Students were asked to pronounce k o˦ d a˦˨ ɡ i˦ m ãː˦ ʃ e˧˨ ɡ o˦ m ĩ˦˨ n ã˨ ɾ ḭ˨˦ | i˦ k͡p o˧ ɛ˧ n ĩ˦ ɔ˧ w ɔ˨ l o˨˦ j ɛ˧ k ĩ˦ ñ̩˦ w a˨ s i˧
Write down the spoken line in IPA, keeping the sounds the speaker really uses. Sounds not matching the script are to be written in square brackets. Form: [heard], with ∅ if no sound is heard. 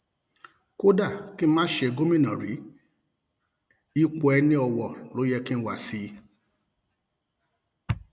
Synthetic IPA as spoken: k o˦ d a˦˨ [k] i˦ m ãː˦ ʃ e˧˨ ɡ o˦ m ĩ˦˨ n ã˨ ɾ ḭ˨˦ | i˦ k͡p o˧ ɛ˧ n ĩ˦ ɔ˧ w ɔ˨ l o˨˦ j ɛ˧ k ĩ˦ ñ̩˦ w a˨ s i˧